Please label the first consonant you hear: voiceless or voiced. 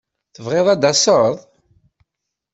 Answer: voiceless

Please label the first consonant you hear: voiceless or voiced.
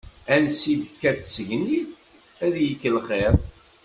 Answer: voiced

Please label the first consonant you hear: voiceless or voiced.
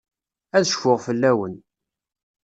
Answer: voiced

